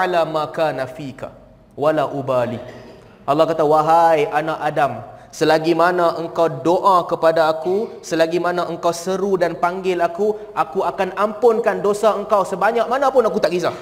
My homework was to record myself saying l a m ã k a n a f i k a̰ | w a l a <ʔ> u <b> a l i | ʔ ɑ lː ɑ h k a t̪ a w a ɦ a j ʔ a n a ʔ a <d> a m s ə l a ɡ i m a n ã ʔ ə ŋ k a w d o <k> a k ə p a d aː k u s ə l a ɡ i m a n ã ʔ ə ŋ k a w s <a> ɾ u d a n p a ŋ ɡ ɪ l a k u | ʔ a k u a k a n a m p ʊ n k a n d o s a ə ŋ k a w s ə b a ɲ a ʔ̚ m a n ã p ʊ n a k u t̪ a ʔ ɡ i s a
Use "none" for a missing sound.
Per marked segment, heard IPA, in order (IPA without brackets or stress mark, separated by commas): ʔ, b, d, ʔ, ə